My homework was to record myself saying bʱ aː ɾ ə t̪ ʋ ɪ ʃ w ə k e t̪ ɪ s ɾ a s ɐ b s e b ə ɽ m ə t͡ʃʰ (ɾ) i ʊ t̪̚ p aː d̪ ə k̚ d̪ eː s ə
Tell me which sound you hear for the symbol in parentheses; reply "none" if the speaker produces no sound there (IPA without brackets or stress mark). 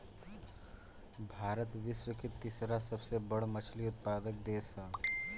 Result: l